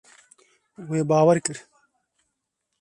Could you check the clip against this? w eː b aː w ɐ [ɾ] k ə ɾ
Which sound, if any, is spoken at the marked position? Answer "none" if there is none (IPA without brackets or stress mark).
ɾ